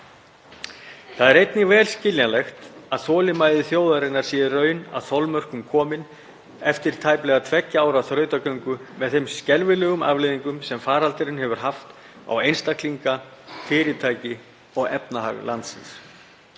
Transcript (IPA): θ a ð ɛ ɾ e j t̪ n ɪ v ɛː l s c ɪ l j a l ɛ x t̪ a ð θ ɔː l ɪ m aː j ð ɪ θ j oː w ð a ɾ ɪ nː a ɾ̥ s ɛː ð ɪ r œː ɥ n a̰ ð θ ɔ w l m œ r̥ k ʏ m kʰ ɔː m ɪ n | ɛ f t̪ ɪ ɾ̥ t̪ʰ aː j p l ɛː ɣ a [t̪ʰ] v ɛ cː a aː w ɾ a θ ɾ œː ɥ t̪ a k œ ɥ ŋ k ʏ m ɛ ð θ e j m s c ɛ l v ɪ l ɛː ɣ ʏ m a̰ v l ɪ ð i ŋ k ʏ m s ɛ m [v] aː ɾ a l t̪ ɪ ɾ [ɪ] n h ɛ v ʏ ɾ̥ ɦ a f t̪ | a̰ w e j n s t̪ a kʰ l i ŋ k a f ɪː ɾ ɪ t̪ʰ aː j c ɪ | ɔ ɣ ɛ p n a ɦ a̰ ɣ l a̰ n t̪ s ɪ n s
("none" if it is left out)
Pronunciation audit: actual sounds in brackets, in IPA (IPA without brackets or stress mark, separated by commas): t̪ʰ, f, ɪ